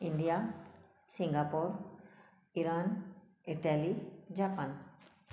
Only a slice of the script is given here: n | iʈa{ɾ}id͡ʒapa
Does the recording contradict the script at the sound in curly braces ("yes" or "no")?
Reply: yes